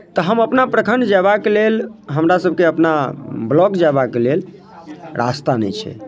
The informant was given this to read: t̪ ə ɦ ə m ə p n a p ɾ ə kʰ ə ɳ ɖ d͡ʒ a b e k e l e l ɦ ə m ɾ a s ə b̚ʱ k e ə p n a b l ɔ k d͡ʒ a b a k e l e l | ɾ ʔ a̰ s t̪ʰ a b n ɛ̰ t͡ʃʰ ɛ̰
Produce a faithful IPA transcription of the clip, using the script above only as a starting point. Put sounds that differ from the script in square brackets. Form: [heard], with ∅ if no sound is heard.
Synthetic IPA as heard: t̪ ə ɦ ə m ə p n a p ɾ ə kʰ ə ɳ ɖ d͡ʒ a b [a] k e l e l ɦ ə m ɾ a s ə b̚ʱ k e ə p n a b l ɔ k d͡ʒ a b a k e l e l | ɾ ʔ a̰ s [t̪] a [∅] n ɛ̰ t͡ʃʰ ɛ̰

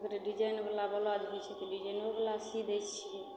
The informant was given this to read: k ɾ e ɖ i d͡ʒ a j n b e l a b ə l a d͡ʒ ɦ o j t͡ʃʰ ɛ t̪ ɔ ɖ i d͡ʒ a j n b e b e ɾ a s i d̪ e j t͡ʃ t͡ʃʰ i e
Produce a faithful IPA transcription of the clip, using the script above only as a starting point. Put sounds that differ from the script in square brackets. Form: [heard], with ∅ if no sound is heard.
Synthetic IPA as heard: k ɾ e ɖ i d͡ʒ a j n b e l a b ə l a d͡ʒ ɦ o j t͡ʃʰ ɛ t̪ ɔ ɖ i d͡ʒ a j n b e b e [l] a s i d̪ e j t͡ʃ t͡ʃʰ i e

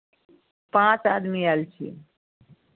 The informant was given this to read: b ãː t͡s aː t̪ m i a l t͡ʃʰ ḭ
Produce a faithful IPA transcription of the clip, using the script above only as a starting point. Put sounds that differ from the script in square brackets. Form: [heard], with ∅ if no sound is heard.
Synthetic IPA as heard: [p] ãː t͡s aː [d̪] m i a l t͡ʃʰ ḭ

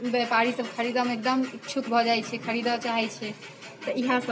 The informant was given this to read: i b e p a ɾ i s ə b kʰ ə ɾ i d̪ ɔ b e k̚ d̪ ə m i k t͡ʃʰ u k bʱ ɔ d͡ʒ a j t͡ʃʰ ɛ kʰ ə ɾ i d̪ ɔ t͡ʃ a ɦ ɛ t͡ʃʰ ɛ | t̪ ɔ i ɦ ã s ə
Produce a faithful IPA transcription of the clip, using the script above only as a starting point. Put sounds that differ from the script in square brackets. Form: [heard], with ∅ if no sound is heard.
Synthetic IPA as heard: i b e p a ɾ i s ə b kʰ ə ɾ i d̪ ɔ [m] e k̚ d̪ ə m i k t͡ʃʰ u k bʱ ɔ d͡ʒ a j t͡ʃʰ ɛ kʰ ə ɾ i d̪ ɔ t͡ʃ a ɦ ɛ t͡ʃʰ ɛ | t̪ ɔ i ɦ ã s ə

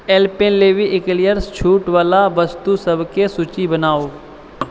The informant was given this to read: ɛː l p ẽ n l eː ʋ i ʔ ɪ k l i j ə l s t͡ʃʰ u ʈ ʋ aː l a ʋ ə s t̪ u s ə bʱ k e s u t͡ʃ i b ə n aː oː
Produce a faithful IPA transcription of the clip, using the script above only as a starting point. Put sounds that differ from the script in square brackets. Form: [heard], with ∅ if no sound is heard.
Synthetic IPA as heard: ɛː l p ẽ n l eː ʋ i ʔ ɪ k l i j ə [ɾ] s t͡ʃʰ [uː] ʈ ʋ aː l a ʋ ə s t̪ u s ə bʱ k e s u t͡ʃ i b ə n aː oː

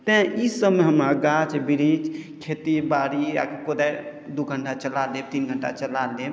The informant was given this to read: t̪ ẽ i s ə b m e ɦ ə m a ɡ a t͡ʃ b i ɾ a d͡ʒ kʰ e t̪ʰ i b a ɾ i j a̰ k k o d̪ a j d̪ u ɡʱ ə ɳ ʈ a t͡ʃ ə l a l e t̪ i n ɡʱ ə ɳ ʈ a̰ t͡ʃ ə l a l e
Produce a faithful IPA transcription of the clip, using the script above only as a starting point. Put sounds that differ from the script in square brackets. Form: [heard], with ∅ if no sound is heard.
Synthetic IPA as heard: t̪ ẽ i s ə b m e ɦ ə m a ɡ a t͡ʃ b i ɾ [i] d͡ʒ kʰ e [t̪] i b a ɾ i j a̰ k k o d̪ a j d̪ u ɡʱ ə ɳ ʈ a t͡ʃ ə l a l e t̪ i n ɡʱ ə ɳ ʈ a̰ t͡ʃ ə l a l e

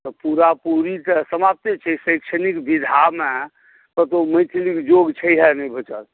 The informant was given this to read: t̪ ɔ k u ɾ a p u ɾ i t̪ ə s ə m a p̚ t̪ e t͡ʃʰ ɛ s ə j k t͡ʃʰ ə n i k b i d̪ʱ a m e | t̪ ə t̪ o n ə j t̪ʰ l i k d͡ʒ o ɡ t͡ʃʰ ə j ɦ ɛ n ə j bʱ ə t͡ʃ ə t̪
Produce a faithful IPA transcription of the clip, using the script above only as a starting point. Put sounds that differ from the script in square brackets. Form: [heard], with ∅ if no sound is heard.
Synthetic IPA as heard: t̪ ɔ [p] u ɾ a p u ɾ i t̪ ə s ə m a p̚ t̪ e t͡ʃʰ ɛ s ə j k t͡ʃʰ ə n i k b i d̪ʱ a m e | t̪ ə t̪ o [m] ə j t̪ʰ l i k d͡ʒ o ɡ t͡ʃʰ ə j ɦ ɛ n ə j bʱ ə t͡ʃ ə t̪

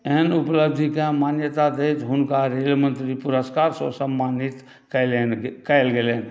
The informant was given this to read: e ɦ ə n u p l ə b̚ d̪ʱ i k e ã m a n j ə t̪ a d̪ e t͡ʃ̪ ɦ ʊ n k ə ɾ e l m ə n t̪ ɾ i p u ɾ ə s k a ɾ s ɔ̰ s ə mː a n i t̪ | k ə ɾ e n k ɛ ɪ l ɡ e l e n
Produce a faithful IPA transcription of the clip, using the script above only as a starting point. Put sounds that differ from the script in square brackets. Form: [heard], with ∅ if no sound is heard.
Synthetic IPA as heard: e ɦ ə n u p l ə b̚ d̪ʱ i k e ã m a n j ə t̪ a d̪ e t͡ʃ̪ ɦ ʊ n k [a] ɾ e l m ə n t̪ ɾ i p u ɾ ə s k a ɾ s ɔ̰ s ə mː a n i t̪ | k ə [l] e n k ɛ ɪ l ɡ e l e n

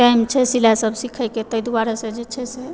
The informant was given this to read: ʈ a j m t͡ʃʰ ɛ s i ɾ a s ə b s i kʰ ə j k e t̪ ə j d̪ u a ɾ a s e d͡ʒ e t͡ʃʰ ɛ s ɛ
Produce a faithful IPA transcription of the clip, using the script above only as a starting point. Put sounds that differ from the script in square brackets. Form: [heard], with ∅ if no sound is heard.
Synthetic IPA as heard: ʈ a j m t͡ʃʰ ɛ s i [l] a s ə b s i kʰ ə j k e t̪ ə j d̪ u a ɾ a s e d͡ʒ e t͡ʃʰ ɛ s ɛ

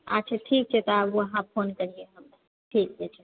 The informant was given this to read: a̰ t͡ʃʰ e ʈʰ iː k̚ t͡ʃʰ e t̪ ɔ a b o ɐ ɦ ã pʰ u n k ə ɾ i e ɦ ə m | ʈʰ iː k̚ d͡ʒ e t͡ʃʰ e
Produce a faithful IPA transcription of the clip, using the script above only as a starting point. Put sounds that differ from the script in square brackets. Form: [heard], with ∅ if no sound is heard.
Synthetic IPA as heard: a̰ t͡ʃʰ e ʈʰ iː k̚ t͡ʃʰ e t̪ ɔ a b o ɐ ɦ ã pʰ [o] n k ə ɾ i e ɦ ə m | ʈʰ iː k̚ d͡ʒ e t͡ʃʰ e

